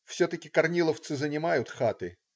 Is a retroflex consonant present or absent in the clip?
absent